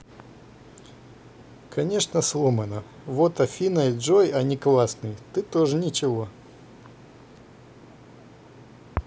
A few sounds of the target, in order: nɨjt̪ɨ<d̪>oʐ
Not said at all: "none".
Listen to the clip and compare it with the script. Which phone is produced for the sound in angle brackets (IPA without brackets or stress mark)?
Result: t̪